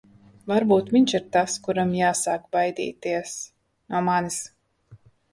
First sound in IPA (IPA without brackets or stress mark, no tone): v